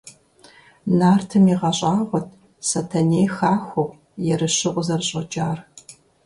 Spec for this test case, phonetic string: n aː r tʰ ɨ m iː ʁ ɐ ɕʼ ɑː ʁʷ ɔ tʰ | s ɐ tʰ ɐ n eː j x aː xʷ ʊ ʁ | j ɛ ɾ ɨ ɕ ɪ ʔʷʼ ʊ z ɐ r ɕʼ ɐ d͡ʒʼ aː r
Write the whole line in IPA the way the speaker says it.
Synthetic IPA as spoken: n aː r tʰ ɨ m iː ʁ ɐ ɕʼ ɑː ʁʷ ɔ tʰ | s ɐ tʰ ɐ n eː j x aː xʷ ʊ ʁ | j ɛ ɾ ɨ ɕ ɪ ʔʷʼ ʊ z ɐ r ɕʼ ɐ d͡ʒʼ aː r